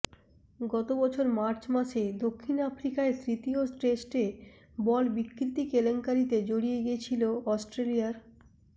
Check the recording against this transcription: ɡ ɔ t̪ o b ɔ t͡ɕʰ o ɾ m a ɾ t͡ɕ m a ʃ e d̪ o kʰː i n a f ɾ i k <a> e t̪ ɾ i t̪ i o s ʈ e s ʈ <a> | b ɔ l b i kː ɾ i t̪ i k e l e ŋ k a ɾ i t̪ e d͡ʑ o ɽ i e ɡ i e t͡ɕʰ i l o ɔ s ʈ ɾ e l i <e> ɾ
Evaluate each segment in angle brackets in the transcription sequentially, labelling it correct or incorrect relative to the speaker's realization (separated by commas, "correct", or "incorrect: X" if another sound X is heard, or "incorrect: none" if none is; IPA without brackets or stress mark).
correct, incorrect: e, incorrect: a